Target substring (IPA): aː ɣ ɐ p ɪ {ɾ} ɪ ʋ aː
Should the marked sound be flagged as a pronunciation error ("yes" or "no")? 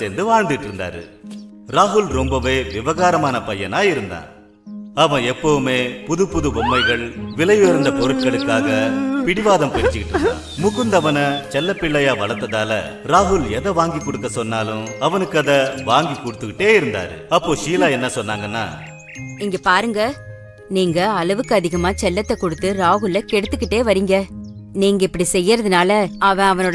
yes